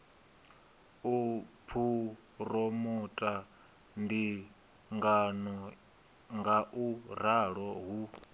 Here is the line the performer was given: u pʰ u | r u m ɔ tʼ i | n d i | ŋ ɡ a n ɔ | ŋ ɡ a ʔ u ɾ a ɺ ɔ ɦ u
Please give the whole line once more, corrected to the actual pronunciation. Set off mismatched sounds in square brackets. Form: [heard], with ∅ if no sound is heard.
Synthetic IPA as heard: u pʰ u | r [ɔ] m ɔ tʼ [a] | n d i | ŋ ɡ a n ɔ | ŋ ɡ a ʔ u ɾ a ɺ ɔ ɦ u